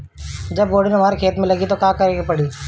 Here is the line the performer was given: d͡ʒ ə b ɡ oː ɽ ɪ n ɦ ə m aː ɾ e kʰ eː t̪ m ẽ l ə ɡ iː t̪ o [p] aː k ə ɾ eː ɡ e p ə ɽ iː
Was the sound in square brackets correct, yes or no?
no